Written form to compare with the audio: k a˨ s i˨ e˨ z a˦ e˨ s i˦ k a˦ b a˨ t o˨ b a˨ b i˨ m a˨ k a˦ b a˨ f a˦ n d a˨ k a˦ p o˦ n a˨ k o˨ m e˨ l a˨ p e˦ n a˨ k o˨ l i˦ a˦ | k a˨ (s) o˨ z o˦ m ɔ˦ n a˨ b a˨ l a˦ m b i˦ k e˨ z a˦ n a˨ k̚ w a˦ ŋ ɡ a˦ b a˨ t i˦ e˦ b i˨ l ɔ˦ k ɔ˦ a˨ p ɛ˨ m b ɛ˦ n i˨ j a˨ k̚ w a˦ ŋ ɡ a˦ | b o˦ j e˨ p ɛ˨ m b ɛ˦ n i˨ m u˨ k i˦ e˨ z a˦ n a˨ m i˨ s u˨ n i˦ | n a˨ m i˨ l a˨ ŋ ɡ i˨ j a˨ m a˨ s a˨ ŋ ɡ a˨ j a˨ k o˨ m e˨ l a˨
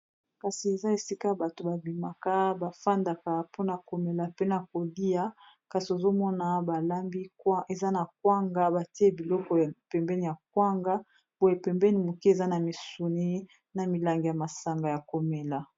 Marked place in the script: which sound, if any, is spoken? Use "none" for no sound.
s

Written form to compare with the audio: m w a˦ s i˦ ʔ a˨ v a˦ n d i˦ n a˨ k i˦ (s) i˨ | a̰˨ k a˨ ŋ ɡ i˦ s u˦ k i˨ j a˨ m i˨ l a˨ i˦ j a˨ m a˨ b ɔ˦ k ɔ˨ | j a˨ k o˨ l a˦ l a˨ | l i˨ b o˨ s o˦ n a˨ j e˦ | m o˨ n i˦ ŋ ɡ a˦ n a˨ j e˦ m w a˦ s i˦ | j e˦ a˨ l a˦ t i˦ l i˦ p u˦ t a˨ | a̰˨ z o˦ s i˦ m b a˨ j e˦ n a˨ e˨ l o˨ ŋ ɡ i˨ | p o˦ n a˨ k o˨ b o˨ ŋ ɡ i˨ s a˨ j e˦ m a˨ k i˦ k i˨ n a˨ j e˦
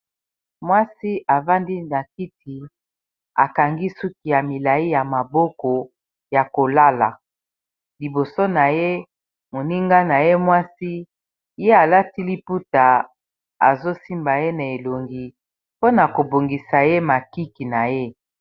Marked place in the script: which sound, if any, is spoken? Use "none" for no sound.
t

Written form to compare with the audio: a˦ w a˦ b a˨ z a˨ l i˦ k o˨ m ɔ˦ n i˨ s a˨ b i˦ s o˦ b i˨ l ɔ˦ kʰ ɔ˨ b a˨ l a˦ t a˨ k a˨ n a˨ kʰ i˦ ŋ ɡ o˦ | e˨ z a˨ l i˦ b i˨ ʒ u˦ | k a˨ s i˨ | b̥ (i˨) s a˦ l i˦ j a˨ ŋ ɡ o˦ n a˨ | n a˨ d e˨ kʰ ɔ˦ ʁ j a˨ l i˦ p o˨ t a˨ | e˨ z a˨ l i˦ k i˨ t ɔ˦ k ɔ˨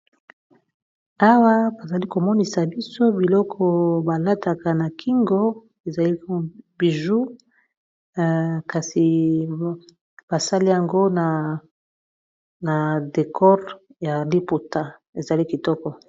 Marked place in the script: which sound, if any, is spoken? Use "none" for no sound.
a˨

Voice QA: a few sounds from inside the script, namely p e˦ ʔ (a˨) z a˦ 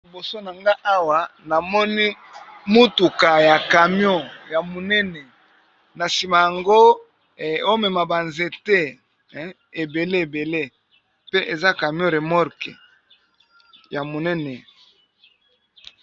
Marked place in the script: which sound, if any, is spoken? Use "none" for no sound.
e˨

